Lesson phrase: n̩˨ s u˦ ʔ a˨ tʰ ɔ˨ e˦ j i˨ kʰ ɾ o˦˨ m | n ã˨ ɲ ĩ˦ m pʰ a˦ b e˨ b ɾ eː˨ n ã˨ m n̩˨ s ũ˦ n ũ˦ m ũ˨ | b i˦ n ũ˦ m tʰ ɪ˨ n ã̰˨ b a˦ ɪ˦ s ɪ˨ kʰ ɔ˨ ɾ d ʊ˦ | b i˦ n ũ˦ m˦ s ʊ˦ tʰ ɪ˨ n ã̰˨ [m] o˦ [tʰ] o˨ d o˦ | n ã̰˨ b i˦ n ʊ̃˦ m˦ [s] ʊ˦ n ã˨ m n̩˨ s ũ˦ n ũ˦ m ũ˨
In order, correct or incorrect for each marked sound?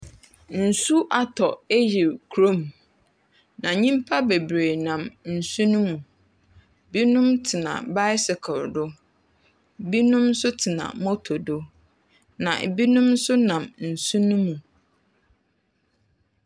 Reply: correct, correct, correct

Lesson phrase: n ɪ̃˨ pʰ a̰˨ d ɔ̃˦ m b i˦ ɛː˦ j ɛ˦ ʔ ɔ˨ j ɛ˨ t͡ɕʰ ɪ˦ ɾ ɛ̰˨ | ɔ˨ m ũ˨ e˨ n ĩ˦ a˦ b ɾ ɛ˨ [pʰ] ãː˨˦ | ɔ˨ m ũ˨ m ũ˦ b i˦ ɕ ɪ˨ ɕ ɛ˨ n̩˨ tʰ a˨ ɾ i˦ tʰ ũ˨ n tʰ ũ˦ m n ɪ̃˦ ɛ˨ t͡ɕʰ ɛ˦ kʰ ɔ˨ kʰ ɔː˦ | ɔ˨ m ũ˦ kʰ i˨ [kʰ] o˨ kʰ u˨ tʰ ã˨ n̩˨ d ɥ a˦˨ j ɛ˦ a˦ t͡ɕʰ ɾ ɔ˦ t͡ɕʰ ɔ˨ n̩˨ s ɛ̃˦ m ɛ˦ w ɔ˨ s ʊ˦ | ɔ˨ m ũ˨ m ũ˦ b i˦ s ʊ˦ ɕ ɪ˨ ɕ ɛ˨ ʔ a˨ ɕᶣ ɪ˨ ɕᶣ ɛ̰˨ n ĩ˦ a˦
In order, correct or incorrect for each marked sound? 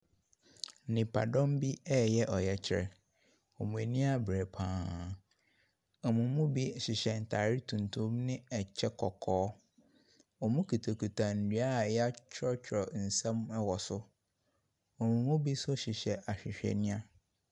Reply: correct, incorrect: tʰ

